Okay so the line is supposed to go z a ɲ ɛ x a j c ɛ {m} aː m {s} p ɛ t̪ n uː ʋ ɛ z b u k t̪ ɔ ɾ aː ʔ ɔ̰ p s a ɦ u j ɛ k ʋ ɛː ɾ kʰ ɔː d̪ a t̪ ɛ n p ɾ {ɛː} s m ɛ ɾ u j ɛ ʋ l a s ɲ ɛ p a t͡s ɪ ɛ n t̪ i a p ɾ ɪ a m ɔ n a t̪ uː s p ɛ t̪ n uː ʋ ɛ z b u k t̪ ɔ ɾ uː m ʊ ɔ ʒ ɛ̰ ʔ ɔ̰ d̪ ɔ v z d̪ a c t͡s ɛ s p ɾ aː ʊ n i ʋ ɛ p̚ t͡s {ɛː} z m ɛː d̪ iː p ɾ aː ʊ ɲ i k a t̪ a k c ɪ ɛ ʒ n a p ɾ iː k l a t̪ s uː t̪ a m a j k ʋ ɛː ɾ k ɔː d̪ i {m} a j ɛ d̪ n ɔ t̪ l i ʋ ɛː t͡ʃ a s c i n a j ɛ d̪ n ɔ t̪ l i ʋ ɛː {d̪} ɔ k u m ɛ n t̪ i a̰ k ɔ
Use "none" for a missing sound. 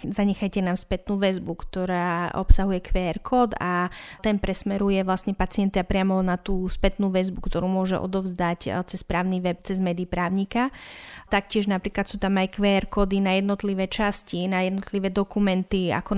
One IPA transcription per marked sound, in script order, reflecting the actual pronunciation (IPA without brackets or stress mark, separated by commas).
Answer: n, s, ɛ, ɛ, n, d̪